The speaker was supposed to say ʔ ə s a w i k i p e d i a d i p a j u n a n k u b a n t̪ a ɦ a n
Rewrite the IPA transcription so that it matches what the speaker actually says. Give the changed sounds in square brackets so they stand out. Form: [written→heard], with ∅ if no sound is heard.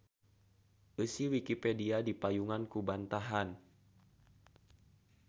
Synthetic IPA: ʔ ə s [a→i] w i k i p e d i a d i p a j u [n→ŋ] a n k u b a n t̪ a ɦ a n